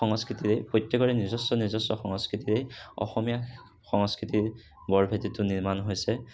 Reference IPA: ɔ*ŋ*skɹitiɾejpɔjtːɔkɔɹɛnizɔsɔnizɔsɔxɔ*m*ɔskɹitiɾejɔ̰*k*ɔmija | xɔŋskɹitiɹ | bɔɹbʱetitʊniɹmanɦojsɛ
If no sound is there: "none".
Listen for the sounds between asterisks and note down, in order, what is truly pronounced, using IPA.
ŋ, ŋ, x

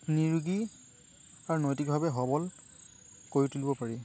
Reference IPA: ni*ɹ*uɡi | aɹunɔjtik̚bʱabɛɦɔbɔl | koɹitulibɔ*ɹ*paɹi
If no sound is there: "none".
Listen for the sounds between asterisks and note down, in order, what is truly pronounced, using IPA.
ɹ, none

